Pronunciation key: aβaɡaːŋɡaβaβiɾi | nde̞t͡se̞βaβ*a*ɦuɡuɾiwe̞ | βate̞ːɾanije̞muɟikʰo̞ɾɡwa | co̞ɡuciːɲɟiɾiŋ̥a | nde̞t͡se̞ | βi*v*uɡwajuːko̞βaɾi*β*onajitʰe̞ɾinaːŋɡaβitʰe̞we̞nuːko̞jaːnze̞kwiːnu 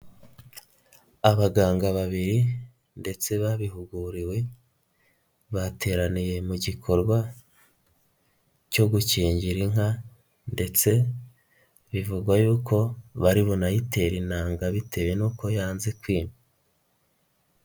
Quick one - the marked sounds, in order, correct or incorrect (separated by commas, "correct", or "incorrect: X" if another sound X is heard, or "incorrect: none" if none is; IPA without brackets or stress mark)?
incorrect: i, correct, correct